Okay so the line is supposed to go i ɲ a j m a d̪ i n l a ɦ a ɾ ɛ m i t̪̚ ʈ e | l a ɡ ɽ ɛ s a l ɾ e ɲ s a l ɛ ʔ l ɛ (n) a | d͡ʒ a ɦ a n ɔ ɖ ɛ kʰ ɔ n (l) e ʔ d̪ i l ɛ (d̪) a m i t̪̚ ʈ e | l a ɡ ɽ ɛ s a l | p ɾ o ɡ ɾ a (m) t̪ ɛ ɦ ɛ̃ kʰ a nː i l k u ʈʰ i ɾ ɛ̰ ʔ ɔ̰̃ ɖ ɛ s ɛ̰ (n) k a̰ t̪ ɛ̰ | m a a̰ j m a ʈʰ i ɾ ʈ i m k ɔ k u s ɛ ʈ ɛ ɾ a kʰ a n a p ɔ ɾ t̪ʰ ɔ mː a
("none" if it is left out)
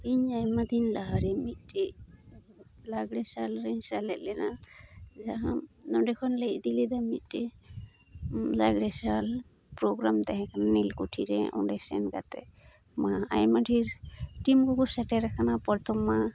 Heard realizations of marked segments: n, l, d̪, m, n

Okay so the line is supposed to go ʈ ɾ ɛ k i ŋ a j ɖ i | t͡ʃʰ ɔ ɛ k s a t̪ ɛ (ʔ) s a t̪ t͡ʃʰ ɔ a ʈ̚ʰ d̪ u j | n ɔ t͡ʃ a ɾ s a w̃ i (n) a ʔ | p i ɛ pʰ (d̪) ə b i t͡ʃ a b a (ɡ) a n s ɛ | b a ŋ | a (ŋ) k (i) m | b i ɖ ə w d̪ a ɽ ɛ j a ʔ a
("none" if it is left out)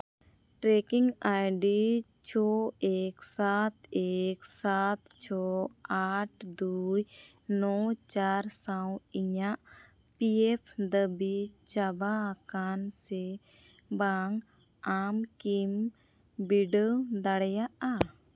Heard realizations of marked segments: k, ɲ, d̪, k, m, i

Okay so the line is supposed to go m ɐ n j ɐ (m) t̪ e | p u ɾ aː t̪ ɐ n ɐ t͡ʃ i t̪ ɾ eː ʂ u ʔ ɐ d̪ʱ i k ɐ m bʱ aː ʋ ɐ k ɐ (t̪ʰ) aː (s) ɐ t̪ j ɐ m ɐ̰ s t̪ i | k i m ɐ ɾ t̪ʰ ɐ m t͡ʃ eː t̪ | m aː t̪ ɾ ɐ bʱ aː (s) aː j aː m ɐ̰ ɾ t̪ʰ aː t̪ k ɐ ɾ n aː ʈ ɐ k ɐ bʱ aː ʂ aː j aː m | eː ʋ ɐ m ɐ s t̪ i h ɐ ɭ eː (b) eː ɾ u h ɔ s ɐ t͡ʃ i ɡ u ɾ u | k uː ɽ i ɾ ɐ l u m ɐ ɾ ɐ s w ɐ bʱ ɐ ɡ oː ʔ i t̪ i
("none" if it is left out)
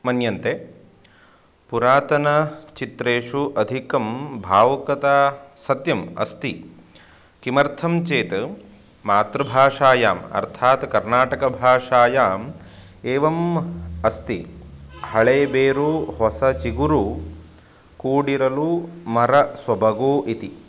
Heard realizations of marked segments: n, t̪, s, ʂ, b

